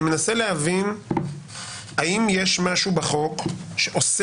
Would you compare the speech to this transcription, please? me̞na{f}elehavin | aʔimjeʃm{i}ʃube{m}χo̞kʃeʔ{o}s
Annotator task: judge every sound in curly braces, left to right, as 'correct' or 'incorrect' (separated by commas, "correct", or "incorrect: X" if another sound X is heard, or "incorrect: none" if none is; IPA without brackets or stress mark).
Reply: incorrect: s, incorrect: a, incorrect: none, correct